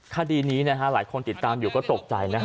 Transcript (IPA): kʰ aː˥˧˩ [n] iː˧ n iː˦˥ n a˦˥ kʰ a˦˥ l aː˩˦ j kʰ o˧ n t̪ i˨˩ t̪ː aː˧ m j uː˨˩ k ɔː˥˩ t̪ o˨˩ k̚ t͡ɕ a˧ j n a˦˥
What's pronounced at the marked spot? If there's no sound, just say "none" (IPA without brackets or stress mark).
d